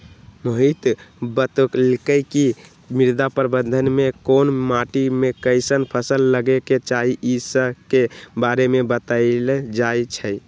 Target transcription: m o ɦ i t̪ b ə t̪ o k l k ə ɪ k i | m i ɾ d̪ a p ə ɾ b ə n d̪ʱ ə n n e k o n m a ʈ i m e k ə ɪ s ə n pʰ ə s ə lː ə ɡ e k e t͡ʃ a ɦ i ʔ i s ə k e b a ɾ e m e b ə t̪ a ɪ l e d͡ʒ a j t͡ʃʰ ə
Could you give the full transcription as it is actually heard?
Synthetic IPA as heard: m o ɦ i t̪ b ə t̪ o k l k ə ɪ k i | m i ɾ d̪ a p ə ɾ b ə n d̪ʱ ə n m e k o n m a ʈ i m e k ə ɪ s ə n pʰ ə s ə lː ə ɡ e k e t͡ʃ a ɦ i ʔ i s ə k e b a ɾ e m e b ə t̪ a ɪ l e d͡ʒ a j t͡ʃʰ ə